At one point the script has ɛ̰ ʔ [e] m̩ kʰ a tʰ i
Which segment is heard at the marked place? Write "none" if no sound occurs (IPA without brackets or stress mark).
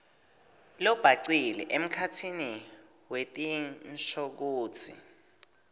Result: e